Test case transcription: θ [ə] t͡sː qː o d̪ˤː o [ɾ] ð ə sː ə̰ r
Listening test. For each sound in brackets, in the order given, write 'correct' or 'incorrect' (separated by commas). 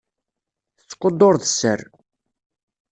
correct, correct